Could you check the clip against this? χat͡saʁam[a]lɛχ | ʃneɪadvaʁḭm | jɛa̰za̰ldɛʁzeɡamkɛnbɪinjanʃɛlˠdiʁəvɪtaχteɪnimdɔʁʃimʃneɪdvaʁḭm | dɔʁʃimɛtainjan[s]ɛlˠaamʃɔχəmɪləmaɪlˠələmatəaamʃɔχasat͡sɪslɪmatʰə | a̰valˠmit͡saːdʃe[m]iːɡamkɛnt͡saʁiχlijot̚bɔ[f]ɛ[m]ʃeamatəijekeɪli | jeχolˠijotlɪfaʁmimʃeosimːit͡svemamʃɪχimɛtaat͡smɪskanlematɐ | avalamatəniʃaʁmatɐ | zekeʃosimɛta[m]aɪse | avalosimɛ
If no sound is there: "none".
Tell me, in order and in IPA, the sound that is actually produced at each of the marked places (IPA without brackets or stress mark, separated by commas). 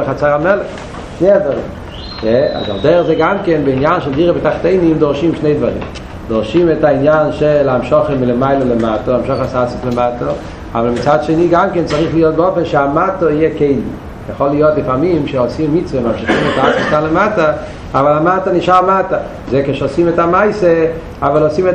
ɛ, ʃ, n, f, n, m